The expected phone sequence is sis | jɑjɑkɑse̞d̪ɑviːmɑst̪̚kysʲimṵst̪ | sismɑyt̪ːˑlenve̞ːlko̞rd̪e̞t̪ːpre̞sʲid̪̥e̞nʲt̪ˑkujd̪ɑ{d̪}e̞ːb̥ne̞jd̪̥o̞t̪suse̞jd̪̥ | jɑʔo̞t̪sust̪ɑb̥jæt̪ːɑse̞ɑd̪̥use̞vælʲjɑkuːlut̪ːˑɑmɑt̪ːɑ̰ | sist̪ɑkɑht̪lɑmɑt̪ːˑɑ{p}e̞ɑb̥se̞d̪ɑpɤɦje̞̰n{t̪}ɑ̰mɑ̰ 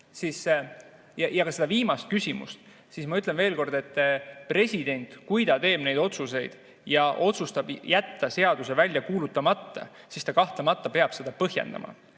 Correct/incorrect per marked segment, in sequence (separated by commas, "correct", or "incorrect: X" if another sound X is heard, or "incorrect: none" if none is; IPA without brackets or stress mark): incorrect: t̪, correct, incorrect: d̪